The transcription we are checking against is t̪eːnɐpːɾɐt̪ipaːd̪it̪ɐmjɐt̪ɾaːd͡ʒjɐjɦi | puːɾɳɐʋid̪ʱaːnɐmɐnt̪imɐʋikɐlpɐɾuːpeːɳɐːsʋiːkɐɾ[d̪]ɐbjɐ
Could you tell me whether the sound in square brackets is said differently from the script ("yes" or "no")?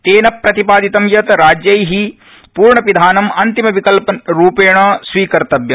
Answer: yes